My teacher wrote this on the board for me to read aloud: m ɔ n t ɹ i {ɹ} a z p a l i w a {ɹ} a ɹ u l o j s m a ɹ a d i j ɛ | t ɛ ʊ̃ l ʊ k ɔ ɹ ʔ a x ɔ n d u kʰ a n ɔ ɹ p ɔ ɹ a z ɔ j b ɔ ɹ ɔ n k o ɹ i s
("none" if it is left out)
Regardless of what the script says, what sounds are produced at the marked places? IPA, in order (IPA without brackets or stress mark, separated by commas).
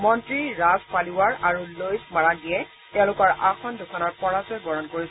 ɹ, ɹ